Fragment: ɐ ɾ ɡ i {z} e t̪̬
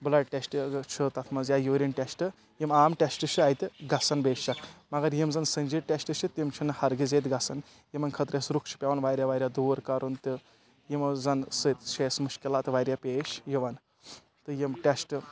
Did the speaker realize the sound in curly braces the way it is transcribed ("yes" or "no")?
yes